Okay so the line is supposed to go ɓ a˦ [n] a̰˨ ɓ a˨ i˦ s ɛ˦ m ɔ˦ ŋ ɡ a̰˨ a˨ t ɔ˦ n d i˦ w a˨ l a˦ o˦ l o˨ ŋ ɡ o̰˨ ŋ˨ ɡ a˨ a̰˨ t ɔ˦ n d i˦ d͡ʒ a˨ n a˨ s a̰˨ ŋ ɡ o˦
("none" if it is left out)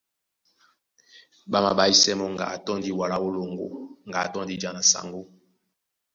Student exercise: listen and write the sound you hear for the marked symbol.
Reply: m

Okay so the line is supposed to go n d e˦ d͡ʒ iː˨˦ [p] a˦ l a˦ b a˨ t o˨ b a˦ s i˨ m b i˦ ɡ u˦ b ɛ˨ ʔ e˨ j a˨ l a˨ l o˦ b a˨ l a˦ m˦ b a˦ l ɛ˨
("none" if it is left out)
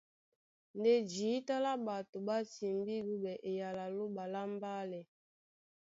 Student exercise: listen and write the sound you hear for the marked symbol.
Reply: t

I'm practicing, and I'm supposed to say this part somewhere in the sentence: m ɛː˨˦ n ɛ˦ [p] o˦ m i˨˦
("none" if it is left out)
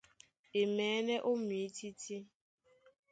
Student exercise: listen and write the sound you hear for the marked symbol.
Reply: ʔ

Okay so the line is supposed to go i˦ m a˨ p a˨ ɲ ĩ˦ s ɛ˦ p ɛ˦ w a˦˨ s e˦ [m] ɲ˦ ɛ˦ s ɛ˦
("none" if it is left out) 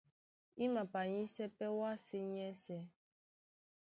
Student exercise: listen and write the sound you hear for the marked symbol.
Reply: none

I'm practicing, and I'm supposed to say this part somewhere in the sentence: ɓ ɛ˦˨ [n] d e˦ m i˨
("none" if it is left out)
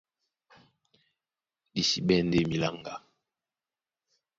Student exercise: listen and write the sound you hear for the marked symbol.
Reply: n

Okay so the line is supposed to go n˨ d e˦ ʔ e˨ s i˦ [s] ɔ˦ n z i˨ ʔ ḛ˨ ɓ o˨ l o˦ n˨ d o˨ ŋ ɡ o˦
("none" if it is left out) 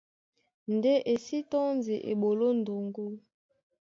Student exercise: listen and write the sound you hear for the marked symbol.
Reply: t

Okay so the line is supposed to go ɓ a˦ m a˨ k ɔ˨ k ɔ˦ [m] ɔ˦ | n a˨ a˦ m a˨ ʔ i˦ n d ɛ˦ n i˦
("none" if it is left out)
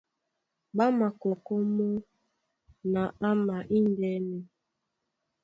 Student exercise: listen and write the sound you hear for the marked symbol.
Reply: m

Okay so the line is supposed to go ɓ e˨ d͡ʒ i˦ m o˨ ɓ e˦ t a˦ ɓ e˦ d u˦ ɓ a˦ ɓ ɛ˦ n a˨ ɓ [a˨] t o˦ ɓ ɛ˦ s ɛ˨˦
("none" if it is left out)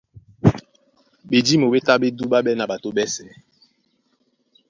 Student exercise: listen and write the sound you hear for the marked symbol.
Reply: a˨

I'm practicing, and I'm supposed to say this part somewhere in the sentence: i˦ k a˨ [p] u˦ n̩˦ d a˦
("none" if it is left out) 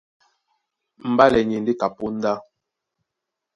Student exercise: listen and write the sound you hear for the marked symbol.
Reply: p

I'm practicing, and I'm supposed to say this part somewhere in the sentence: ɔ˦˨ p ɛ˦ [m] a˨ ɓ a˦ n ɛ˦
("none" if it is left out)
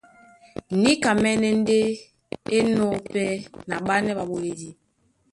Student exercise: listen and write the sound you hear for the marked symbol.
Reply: n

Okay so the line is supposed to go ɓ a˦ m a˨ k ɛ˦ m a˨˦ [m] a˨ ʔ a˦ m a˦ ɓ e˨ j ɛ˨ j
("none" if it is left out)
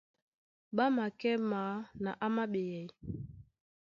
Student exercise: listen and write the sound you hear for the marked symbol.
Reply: n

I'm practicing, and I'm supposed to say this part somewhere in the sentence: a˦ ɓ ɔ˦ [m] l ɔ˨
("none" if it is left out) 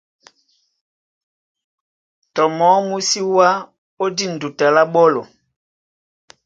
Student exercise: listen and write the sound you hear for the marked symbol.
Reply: none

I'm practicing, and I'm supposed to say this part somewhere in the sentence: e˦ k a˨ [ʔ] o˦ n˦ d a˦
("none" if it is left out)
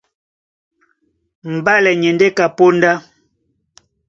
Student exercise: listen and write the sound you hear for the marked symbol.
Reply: p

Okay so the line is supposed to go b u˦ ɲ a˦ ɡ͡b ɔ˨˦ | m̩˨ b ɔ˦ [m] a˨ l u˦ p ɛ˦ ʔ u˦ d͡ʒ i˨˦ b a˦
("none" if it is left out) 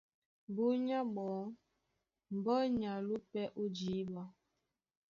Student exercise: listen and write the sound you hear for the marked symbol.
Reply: ɲ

